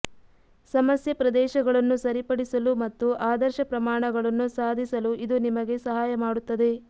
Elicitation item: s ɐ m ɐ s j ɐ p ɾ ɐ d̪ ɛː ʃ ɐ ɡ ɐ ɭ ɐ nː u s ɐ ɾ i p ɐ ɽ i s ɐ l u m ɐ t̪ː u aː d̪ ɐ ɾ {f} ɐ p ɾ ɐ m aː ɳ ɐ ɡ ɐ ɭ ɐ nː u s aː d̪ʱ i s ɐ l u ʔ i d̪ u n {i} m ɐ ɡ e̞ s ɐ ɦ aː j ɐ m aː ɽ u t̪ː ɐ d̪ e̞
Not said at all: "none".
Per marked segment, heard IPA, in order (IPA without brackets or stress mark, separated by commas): ʃ, i